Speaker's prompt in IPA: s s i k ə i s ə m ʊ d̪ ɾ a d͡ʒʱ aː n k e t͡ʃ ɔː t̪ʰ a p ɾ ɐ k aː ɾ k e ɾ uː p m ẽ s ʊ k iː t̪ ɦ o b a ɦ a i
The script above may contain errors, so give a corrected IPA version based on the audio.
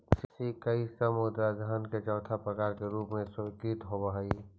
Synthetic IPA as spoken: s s i k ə i s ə m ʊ d̪ ɾ a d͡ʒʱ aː n k e t͡ʃ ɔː t̪ʰ a p ɾ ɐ k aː ɾ k e ɾ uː p m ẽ s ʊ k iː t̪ ɦ o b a ɦ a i

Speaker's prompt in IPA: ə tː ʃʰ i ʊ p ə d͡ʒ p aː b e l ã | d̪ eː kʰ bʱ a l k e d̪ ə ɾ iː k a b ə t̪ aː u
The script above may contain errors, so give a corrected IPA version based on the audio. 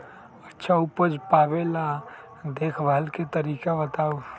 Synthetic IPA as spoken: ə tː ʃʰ a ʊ p ə d͡ʒ p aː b e l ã | d̪ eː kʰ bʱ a l k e t̪ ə ɾ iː k a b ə t̪ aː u

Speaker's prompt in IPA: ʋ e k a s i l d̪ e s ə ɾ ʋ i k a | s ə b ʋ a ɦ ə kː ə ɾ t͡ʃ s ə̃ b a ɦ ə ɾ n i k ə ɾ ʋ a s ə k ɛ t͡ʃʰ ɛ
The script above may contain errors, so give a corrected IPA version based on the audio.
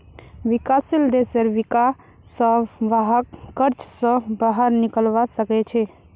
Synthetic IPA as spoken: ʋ i k a s i l d̪ e s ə ɾ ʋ i k a | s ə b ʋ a ɦ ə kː ə ɾ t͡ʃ s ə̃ b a ɦ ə ɾ n i k ə l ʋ a s ə k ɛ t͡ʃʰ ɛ

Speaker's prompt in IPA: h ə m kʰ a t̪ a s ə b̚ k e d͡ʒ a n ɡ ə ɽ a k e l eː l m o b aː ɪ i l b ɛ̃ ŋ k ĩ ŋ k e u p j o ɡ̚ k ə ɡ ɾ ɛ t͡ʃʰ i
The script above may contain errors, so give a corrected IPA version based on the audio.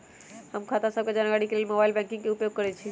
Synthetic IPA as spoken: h ə m kʰ a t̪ a s ə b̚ k e d͡ʒ a n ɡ a ɽ i k e l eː l m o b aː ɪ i l b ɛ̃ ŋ k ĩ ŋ k e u p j o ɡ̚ k ə ɾ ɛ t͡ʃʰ i

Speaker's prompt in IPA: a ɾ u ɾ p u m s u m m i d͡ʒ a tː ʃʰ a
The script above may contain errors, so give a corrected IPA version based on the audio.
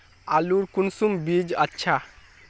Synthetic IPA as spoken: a l u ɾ k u n s u m b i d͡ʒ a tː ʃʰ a

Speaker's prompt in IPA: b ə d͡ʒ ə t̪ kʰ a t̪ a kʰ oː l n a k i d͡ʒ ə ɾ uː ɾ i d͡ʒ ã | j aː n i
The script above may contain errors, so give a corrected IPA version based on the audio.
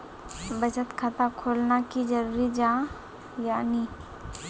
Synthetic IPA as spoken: b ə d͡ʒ ə t̪ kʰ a t̪ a kʰ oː l n a k i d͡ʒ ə ɾ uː ɾ i d͡ʒ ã | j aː n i

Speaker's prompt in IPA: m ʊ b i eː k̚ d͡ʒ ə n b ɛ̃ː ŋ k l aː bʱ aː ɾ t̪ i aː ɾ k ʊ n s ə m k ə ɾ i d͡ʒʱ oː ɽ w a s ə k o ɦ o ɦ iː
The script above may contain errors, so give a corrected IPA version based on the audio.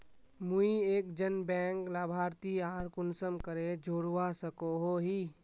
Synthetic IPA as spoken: m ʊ i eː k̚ d͡ʒ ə n b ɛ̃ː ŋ k l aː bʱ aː ɾ t̪ i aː ɾ k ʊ n s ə m k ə ɾ e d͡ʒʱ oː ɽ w a s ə k o ɦ o ɦ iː

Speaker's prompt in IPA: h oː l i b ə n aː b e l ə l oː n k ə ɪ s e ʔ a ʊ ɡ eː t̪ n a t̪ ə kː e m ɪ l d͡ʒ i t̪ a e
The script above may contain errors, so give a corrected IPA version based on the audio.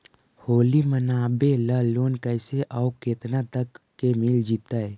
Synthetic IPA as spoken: h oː l i m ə n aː b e l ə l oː n k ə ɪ s e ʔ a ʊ k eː t̪ n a t̪ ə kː e m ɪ l d͡ʒ i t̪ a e

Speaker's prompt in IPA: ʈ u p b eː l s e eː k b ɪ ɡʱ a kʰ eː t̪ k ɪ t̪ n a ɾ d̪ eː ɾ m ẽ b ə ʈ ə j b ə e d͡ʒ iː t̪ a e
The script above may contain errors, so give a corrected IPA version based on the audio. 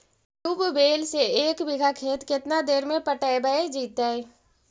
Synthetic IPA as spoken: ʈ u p b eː l s e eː k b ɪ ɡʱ a kʰ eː t̪ k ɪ t̪ n a d̪ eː ɾ m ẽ p ə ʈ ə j b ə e d͡ʒ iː t̪ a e

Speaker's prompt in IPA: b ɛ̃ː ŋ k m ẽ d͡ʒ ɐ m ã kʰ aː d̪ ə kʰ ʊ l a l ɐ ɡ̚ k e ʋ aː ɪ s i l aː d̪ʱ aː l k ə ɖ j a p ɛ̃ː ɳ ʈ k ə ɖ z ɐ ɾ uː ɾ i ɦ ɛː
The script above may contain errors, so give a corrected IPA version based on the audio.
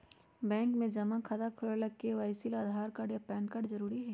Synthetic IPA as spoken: b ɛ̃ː ŋ k m ẽ d͡ʒ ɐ m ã kʰ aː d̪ a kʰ ʊ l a l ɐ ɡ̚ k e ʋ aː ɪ s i l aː d̪ʱ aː ɾ k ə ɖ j a p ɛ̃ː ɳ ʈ k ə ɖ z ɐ ɾ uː ɾ i ɦ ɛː

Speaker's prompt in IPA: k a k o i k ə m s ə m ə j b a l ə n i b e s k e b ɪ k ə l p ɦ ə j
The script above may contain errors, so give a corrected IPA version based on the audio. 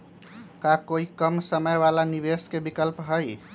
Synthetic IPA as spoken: k a k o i k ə m s ə m ə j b a l a n i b e s k e b i k ə l p ɦ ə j

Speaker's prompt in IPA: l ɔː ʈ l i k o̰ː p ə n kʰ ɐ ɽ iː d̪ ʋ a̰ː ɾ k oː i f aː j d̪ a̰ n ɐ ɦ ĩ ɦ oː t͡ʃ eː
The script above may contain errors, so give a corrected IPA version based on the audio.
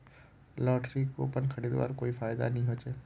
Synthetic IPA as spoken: l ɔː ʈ ɾ i k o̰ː p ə n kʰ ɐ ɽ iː d̪ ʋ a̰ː ɾ k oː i f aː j d̪ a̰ n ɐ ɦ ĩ ɦ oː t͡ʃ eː

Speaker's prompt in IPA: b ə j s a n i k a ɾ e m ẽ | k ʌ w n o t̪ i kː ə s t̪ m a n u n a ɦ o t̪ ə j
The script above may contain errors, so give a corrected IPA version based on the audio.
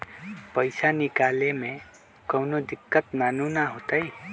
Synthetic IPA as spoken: p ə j s a n i k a l e m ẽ | k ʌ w n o d̪ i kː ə t̪ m a n u n a ɦ o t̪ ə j

